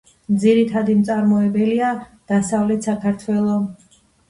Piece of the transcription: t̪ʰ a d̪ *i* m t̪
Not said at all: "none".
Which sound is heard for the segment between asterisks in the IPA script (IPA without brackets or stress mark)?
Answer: i